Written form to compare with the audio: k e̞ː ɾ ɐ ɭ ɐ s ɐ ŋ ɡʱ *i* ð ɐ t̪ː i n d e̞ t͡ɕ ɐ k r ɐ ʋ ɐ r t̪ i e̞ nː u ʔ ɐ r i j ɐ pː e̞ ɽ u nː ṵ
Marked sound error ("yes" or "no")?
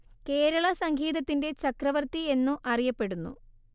yes